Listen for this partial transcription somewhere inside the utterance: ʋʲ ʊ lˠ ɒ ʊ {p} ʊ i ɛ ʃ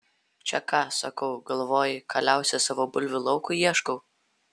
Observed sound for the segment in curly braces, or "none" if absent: k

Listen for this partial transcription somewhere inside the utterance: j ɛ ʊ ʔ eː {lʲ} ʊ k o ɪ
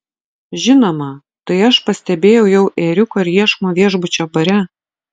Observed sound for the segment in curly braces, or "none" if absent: ɾʲ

